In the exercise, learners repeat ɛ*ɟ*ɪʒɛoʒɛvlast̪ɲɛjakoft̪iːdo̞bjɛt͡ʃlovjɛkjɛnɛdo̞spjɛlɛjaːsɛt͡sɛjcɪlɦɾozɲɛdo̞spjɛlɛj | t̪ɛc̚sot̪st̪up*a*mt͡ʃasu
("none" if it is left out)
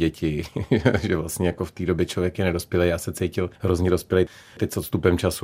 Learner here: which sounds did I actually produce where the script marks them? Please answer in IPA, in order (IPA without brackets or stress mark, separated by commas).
c, ɛ